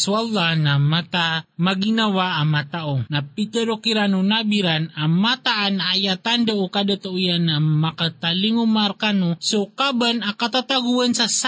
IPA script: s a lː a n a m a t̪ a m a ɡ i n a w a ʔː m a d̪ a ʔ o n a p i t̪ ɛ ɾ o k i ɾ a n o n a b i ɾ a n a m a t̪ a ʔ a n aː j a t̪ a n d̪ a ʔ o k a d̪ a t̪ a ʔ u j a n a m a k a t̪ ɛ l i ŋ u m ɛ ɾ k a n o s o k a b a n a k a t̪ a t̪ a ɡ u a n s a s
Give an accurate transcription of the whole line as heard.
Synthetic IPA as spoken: s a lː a n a m a t̪ a m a ɡ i n a w a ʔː m a t̪ a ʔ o n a p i t̪ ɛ ɾ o k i ɾ a n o n a b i ɾ a n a m a t̪ a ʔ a n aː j a t̪ a n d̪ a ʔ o k a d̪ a t̪ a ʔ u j a n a m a k a t̪ a l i ŋ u m a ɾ k a n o s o k a b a n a k a t̪ a t̪ a ɡ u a n s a s